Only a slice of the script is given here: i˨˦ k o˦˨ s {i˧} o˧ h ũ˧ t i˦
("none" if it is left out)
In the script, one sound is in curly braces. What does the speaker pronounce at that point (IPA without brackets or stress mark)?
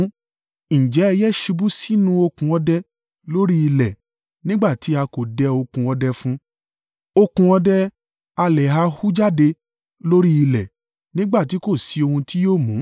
i˧